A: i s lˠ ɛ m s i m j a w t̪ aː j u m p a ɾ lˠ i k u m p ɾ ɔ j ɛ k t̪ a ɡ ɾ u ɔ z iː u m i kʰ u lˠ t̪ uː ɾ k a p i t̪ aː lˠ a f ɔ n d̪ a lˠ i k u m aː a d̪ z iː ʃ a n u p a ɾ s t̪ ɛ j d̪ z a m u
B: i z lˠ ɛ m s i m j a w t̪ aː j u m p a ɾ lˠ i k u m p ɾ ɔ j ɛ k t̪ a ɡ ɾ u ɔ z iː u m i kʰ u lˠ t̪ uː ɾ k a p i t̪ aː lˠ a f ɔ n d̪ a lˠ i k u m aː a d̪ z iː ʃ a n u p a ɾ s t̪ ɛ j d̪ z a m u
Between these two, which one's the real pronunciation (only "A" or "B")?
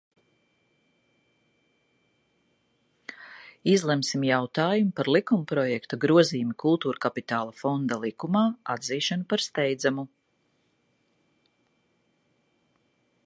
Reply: B